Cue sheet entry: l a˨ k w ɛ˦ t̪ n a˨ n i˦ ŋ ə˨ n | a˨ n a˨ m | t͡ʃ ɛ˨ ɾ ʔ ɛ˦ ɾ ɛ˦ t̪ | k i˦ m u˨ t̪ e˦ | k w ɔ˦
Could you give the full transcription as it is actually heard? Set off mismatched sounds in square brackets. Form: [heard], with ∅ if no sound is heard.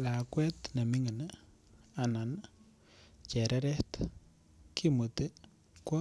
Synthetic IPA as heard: l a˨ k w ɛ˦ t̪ n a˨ [m] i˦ ŋ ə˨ n | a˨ n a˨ [n] | t͡ʃ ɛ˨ ɾ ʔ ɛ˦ ɾ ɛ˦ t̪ | k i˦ m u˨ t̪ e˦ | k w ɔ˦